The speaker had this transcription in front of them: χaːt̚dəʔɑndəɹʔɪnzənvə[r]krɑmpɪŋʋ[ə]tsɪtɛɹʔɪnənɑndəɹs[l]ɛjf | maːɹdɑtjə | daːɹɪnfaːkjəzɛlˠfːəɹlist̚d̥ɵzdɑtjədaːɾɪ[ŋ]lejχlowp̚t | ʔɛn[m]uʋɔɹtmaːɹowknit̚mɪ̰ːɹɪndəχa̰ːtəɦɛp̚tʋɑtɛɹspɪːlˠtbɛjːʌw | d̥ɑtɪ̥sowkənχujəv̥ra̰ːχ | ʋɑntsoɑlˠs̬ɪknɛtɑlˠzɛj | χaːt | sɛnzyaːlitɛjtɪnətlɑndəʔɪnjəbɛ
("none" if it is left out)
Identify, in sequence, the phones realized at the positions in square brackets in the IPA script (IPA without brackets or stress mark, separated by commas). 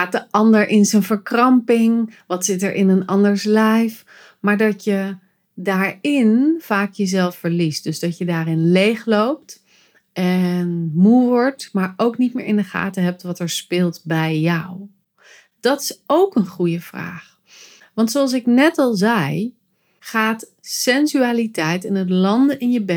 ɹ, ɑ, l, n, m